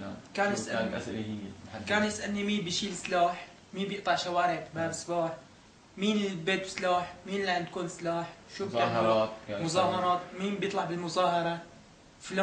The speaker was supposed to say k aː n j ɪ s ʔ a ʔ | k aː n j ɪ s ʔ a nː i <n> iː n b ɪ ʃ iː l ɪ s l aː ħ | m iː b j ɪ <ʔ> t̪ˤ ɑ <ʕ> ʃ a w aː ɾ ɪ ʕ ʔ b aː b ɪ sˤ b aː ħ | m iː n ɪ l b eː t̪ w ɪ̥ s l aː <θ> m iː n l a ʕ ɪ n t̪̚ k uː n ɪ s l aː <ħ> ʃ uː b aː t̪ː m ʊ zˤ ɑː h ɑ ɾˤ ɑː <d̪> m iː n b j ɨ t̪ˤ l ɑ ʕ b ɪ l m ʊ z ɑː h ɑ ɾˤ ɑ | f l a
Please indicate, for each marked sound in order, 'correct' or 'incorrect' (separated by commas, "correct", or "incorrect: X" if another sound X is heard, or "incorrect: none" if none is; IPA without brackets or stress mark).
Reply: incorrect: m, correct, correct, incorrect: ħ, correct, incorrect: t̪